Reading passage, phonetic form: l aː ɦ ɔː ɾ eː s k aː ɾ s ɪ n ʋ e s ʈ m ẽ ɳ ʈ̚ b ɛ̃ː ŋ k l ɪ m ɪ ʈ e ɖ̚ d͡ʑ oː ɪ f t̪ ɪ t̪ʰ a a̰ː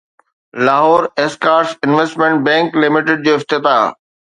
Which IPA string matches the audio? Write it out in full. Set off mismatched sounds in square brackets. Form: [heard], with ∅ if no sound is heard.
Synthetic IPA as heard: l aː ɦ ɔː ɾ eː s k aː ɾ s ɪ n ʋ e s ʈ m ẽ ɳ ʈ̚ b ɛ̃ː ŋ k l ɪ m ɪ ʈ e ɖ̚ d͡ʑ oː ɪ f t̪ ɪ [t̪] a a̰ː